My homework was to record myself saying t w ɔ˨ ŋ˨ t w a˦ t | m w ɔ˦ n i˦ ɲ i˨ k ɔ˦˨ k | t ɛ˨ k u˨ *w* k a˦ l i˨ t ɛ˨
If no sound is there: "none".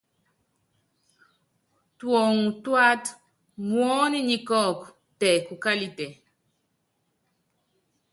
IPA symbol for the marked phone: none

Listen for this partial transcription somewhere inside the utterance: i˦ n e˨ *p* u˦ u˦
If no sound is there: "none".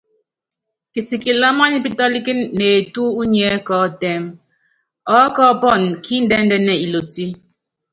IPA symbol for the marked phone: t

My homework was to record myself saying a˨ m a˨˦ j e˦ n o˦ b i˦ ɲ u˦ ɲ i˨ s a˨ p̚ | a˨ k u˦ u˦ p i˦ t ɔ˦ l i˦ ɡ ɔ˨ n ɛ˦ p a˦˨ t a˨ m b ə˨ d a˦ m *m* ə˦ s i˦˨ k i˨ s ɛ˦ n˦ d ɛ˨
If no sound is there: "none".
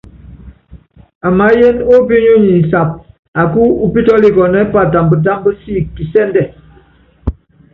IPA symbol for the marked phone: b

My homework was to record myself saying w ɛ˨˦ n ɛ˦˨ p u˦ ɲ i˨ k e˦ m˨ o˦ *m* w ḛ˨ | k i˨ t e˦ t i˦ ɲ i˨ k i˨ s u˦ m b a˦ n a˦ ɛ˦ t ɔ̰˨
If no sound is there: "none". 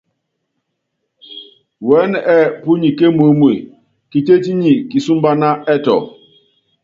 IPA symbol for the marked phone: m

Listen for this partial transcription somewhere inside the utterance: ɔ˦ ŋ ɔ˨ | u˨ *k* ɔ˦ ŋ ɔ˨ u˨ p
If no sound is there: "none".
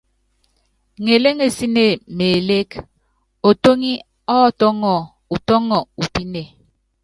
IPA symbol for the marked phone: t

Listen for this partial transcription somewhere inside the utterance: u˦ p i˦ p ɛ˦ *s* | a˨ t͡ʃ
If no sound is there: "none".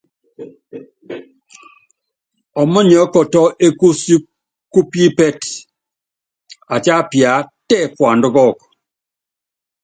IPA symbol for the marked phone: t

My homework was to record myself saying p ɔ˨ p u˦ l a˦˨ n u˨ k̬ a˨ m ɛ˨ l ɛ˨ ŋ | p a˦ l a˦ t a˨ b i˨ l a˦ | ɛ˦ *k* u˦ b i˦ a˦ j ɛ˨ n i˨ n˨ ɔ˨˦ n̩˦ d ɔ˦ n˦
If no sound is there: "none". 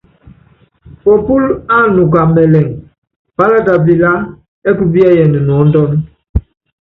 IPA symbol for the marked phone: k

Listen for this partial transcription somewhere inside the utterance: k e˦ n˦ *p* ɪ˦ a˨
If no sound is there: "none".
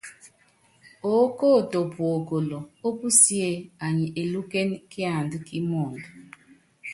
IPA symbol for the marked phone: k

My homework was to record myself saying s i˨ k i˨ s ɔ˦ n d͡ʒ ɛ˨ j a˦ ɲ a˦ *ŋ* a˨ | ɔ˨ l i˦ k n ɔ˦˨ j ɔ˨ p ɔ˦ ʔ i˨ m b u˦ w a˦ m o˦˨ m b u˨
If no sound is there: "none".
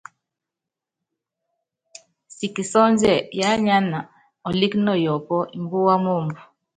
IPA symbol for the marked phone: n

